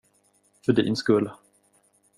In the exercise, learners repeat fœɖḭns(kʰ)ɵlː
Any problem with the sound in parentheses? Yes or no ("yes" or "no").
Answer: yes